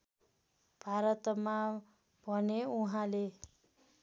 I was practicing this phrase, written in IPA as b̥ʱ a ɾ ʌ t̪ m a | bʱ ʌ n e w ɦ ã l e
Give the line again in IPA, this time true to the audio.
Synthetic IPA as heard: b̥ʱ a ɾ ʌ t̪ m a | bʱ ʌ n e u ɦ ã l e